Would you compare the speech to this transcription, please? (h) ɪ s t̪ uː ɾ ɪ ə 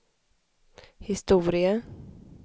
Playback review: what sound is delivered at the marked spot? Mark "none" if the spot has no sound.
h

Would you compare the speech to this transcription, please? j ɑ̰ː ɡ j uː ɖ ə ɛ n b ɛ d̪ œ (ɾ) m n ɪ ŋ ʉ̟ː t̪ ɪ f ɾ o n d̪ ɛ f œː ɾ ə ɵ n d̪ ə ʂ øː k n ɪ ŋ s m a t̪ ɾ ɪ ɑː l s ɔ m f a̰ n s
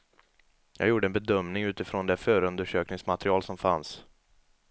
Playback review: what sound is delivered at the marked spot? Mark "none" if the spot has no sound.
none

